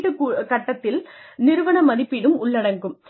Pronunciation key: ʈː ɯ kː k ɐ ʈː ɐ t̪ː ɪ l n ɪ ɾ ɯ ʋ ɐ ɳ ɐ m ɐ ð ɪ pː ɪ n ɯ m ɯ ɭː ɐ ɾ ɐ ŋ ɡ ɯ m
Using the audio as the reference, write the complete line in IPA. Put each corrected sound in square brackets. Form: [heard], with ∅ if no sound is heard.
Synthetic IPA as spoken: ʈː ɯ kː k ɐ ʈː ɐ t̪ː ɪ l n ɪ ɾ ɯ ʋ ɐ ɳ ɐ m ɐ ð ɪ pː ɪ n ɯ m [ʊ] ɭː ɐ [ɽ] ɐ ŋ ɡ ɯ m